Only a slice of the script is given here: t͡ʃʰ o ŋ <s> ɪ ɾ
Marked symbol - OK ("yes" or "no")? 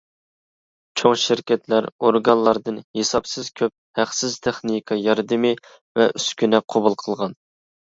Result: no